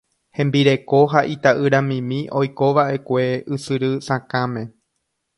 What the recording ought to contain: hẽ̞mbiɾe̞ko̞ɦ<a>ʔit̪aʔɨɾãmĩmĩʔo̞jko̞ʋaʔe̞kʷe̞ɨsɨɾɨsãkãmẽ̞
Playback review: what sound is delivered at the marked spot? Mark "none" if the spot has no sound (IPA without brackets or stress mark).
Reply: a